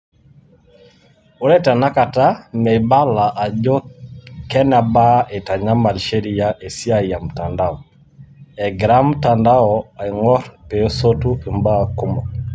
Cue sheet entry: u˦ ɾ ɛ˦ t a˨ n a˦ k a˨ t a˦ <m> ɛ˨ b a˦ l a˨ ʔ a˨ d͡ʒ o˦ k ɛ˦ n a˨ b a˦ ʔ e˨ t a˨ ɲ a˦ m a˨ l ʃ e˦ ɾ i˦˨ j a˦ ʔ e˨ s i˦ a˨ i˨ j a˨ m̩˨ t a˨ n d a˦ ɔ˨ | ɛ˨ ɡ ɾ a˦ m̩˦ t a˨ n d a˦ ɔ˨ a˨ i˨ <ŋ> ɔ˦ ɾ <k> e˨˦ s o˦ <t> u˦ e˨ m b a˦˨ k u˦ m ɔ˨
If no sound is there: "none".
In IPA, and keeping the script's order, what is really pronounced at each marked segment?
m, ŋ, p, t

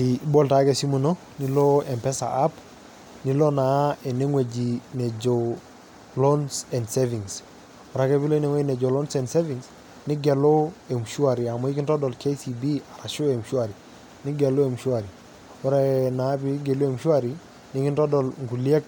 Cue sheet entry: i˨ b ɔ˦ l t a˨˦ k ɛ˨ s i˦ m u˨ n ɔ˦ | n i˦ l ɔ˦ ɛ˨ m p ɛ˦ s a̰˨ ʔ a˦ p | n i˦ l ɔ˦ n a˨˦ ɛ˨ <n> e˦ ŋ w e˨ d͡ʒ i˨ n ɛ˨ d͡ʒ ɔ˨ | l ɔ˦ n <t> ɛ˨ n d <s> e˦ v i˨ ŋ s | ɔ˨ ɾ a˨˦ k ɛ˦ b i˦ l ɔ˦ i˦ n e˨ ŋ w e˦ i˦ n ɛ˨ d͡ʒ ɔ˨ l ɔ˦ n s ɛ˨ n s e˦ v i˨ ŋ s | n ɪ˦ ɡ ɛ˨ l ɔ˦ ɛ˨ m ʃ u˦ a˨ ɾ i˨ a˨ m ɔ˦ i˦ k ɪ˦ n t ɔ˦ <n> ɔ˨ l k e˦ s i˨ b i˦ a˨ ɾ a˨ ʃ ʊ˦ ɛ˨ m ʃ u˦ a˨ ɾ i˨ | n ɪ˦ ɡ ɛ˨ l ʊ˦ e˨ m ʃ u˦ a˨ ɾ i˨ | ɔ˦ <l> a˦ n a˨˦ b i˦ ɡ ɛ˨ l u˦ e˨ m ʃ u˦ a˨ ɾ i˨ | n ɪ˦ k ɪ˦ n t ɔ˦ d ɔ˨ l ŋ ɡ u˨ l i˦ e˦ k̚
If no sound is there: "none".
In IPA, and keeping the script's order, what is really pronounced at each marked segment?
n, s, s, d, ɾ

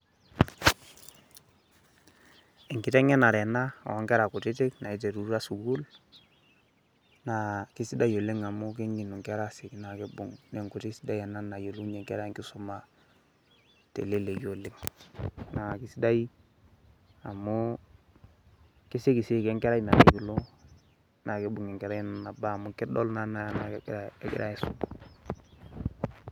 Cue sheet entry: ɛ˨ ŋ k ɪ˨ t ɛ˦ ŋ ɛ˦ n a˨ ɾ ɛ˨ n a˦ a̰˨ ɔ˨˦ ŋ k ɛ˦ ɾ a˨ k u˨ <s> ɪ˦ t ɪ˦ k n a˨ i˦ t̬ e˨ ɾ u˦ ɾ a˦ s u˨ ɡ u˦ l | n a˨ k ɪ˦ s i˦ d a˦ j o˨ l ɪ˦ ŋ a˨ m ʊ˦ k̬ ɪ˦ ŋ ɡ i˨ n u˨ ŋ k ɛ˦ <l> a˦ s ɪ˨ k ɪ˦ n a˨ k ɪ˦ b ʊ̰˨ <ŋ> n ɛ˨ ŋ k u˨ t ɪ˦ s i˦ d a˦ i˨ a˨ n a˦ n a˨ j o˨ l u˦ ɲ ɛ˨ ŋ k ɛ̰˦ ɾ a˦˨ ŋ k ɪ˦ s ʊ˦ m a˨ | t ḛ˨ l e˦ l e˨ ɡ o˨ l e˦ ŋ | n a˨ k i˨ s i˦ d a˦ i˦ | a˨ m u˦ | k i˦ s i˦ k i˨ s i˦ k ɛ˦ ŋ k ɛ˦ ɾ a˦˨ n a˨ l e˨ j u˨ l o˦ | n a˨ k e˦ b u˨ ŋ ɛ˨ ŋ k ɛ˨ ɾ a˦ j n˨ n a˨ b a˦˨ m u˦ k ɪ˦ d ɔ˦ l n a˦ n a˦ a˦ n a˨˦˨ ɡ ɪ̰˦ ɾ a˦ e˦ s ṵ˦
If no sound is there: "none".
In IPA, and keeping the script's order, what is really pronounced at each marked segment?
t, ɾ, ŋ

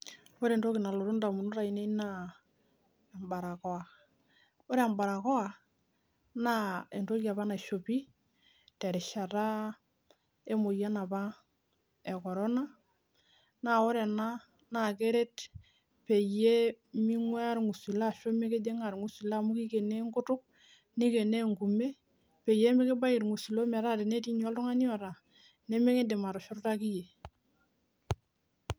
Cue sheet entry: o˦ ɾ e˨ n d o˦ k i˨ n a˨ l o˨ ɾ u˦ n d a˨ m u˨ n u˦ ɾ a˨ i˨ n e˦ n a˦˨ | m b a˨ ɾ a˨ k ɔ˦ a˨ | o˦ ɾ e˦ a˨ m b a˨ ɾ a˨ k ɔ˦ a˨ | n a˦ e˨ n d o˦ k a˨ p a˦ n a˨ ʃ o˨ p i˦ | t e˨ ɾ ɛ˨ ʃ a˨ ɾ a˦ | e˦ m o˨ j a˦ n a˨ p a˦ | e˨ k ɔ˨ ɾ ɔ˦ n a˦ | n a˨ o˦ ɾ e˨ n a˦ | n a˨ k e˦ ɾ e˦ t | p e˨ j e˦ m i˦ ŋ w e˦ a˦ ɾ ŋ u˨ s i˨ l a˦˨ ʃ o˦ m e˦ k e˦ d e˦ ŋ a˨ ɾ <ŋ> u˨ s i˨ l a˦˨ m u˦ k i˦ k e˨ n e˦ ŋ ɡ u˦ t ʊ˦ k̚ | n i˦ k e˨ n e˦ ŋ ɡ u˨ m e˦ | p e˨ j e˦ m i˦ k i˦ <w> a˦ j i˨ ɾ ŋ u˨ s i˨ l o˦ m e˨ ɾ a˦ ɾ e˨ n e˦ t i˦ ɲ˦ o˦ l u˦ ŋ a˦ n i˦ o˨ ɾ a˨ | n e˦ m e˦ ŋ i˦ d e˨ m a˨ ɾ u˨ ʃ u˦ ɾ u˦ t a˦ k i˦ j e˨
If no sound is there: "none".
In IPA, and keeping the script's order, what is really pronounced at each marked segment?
ŋ, b

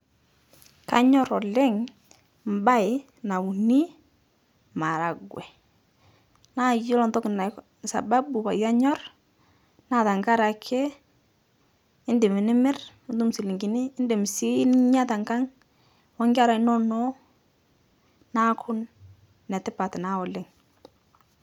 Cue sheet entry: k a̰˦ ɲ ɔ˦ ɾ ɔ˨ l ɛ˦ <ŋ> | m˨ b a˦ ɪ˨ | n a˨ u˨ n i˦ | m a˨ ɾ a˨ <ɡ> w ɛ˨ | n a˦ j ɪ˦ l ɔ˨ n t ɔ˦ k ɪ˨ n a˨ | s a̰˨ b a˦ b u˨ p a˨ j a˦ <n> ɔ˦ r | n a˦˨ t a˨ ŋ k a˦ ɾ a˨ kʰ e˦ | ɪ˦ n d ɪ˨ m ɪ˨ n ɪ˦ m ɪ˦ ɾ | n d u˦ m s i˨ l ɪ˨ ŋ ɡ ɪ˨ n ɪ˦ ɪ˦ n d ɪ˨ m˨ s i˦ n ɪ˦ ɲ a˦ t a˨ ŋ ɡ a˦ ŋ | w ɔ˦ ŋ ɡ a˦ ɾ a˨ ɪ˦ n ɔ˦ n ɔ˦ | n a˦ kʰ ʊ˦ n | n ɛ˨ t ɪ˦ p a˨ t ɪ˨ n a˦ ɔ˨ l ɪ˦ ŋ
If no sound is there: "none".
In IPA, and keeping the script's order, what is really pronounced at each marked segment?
ŋ, ɡ, ɲ

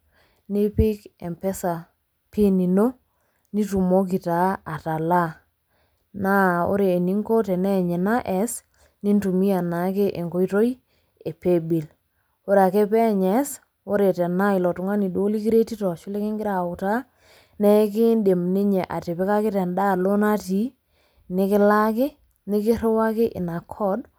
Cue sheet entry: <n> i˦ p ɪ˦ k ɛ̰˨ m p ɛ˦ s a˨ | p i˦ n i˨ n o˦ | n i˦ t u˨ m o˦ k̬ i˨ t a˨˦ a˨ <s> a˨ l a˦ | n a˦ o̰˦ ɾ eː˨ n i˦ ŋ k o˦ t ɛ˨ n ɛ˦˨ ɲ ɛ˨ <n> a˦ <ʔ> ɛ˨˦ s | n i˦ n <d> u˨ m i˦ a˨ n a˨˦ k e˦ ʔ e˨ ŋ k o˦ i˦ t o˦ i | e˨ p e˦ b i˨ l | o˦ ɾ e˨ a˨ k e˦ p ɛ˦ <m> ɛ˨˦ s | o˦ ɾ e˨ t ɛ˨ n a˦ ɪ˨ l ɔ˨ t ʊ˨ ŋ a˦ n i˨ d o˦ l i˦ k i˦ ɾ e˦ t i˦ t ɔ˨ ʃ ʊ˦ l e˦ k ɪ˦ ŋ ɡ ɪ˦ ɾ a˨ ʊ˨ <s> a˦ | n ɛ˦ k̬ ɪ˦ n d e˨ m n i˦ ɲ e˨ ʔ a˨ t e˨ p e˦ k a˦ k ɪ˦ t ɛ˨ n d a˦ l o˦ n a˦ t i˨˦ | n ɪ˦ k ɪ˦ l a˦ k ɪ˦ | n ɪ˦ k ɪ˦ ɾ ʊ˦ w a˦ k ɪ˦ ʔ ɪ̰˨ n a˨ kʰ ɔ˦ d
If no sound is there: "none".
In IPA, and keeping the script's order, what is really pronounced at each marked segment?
n, t, n, ʔ, t, ɲ, t

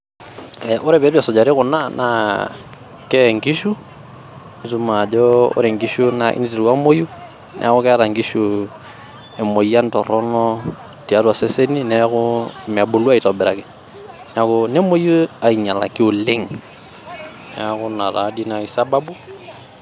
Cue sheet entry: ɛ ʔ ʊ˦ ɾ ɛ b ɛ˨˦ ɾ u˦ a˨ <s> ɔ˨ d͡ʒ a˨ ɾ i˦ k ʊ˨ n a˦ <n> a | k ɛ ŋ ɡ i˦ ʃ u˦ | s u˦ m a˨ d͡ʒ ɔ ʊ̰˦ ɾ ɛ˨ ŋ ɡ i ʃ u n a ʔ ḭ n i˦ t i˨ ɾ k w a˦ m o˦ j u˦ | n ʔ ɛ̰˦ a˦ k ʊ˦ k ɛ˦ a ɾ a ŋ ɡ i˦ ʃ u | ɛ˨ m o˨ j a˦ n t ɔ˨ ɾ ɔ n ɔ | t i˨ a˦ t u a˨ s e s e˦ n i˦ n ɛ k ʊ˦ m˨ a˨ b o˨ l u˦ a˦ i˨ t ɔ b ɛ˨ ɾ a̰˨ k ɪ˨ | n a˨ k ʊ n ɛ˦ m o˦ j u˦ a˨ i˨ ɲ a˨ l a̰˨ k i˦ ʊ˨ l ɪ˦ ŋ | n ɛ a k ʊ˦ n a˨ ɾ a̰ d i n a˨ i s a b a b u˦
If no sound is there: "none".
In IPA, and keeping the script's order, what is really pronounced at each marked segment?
s, n

